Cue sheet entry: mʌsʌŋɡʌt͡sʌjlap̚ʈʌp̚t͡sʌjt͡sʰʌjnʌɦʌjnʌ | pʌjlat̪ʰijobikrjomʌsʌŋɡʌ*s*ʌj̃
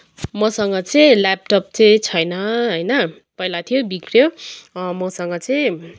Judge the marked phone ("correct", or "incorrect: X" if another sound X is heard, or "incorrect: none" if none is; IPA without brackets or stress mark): incorrect: t͡s